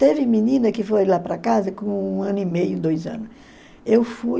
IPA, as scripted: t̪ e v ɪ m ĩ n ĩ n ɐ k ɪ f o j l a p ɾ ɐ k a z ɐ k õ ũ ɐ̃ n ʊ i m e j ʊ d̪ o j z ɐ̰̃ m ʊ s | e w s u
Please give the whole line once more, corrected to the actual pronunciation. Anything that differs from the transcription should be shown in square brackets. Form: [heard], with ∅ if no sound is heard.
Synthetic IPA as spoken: t̪ e v ɪ m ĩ n ĩ n ɐ k ɪ f o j l a p ɾ ɐ k a z ɐ k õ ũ ɐ̃ n ʊ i m e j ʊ d̪ o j z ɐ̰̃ [n] ʊ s | e w [f] u